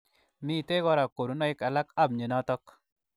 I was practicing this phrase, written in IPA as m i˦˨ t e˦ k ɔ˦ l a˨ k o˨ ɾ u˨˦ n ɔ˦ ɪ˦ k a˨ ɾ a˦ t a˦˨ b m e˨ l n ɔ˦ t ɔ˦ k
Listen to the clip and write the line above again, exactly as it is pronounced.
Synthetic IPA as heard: m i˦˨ t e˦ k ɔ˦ ɾ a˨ k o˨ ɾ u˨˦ n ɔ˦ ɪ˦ k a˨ l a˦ k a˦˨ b ɲ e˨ n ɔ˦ t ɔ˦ k